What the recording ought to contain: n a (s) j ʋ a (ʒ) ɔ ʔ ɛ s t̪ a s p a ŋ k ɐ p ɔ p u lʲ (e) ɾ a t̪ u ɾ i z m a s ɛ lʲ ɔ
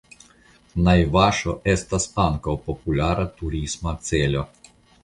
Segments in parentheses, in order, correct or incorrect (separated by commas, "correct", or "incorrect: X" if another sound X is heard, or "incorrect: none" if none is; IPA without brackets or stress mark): incorrect: none, incorrect: ʃ, incorrect: a